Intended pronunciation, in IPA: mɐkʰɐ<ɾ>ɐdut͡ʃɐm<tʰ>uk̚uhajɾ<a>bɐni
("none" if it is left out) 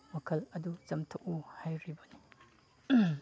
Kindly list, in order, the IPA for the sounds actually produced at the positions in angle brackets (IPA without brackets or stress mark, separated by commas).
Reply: l, tʰ, i